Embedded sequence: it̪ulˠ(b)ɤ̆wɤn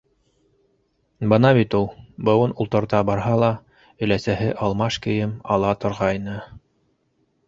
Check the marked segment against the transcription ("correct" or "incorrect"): correct